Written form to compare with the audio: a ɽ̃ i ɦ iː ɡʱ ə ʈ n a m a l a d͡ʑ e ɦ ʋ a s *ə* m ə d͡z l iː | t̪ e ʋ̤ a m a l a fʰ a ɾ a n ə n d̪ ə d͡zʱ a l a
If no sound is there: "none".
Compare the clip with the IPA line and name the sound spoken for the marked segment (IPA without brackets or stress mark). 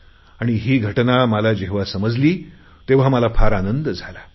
ə